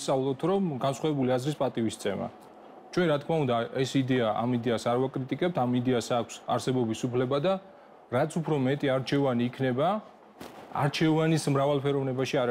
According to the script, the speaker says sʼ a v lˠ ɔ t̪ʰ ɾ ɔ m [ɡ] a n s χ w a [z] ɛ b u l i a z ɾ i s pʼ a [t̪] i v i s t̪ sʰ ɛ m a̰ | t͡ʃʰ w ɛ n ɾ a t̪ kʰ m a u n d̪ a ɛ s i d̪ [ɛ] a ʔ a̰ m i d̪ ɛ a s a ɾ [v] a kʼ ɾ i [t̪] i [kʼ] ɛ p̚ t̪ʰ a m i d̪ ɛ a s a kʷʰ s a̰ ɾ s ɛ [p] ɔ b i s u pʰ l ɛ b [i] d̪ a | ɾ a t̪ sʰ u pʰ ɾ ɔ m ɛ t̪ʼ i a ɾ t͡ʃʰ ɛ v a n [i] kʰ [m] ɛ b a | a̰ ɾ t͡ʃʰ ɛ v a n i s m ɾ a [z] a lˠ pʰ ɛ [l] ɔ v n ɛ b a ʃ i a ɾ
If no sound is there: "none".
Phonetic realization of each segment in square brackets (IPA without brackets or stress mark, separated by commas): ɡ, v, t̪ʼ, ɛ, v, t̪ʼ, kʼ, b, a, iː, n, v, ɾ